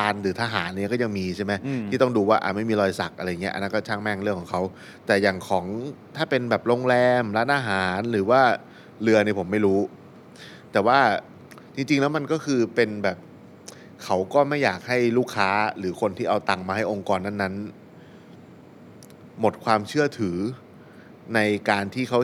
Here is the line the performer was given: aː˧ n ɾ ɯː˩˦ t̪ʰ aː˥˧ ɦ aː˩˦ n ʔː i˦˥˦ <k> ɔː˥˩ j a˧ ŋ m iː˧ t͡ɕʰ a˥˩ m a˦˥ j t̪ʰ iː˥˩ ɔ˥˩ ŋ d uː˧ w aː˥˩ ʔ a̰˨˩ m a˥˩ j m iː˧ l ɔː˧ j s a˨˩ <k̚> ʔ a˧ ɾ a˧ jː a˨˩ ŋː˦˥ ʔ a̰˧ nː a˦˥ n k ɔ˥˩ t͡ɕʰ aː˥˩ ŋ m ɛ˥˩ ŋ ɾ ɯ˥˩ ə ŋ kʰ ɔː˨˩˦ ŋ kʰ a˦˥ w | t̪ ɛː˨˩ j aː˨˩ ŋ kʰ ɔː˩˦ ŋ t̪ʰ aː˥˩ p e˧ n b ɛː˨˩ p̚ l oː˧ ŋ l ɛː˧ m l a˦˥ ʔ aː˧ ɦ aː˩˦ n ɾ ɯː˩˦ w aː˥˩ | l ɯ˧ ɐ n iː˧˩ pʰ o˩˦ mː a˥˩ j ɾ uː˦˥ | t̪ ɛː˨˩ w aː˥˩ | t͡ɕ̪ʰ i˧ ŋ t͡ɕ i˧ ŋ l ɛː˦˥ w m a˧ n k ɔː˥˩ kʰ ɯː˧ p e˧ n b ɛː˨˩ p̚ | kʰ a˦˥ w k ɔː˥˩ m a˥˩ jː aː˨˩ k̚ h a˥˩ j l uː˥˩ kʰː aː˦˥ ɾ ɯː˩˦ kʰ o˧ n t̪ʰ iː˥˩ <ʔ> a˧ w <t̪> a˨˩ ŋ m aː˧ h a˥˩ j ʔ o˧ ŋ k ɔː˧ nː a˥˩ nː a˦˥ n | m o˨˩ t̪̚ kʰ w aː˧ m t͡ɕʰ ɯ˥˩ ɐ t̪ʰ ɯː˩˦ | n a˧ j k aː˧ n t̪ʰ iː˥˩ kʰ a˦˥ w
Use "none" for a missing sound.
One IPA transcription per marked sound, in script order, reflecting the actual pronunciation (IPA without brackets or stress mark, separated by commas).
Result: k, k̚, ʔ, t̪